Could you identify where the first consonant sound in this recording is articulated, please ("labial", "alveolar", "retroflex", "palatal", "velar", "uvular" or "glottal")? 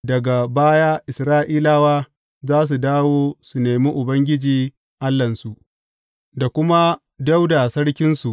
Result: alveolar